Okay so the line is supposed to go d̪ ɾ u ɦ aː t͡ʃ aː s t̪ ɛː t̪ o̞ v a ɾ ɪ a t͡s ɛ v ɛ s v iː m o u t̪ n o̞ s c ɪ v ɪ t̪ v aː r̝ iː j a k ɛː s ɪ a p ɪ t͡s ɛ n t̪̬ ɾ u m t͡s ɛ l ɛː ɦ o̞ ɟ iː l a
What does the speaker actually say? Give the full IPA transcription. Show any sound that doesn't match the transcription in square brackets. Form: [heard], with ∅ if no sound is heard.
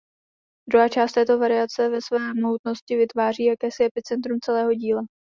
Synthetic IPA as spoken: d̪ ɾ u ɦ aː t͡ʃ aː s t̪ ɛː t̪ o̞ v a ɾ ɪ a t͡s ɛ v ɛ s v [ɛː] m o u t̪ n o̞ s c ɪ v ɪ t̪ v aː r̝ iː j a k ɛː s ɪ [ɛ] p ɪ t͡s ɛ n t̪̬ ɾ u m t͡s ɛ l ɛː ɦ o̞ ɟ iː l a